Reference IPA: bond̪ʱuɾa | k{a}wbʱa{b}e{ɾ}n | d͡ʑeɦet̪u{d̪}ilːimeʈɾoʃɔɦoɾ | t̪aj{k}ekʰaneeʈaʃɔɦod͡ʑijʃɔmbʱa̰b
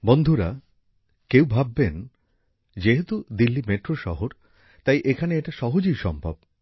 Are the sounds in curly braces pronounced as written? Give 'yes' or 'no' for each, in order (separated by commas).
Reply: no, no, no, yes, no